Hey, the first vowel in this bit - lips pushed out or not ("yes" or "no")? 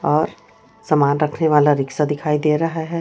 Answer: yes